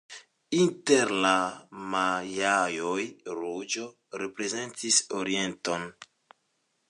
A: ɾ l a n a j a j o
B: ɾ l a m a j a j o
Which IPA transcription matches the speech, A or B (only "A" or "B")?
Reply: B